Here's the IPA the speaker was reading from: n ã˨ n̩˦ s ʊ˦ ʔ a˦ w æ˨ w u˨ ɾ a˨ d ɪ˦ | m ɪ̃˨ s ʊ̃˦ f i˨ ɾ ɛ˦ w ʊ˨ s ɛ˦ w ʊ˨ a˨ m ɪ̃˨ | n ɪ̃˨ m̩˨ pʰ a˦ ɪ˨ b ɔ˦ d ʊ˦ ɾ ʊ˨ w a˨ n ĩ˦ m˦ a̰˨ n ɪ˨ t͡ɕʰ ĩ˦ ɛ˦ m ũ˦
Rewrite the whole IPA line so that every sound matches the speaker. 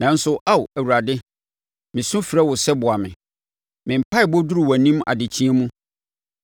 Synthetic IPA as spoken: n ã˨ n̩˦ s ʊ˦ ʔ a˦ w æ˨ w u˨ ɾ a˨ d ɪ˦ | m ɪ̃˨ s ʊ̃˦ f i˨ ɾ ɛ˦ w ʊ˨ s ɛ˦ b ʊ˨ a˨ m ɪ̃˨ | m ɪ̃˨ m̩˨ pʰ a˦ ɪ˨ b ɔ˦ d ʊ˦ ɾ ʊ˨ w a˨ n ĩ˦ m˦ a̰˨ d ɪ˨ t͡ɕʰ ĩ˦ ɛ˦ m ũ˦